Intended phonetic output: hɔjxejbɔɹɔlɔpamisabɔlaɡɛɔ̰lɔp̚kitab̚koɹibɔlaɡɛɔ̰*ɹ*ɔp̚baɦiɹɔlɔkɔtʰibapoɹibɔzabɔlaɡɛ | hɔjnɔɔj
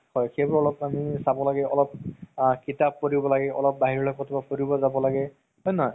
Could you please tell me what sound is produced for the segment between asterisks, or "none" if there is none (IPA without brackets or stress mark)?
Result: l